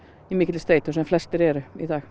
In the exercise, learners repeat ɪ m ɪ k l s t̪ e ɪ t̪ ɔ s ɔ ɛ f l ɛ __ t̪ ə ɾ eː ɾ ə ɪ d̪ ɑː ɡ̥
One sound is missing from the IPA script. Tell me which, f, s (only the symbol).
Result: s